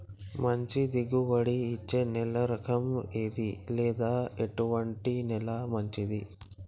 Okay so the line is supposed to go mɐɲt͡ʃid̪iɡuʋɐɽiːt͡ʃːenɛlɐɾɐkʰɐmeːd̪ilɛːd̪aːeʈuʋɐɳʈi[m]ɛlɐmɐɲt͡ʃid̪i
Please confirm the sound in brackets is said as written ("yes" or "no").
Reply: no